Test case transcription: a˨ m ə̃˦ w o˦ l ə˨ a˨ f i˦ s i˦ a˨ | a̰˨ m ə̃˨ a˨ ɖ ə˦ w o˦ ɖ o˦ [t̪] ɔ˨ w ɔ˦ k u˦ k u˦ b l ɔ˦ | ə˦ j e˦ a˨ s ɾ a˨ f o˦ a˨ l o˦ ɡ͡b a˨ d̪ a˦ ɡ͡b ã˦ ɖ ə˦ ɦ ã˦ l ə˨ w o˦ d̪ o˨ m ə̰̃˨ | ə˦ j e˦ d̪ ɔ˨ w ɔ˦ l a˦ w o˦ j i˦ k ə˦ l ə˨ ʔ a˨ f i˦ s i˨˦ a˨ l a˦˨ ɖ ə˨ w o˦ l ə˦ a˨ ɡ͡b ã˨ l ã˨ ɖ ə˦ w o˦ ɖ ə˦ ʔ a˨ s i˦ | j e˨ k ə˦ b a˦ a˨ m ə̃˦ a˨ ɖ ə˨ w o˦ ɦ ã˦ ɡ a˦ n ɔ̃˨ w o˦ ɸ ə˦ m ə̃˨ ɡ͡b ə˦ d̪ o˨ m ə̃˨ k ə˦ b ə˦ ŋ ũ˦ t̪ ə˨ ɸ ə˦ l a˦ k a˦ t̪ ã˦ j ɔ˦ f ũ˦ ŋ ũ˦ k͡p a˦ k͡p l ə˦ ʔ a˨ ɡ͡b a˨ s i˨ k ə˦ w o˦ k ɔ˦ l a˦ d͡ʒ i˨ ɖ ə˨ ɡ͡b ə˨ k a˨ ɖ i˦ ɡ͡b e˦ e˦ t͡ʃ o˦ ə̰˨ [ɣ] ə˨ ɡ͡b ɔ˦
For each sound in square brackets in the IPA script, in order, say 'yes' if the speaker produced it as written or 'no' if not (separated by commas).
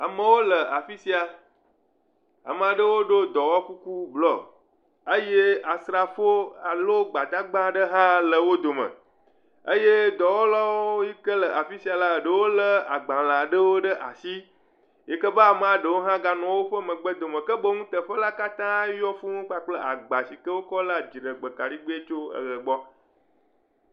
no, yes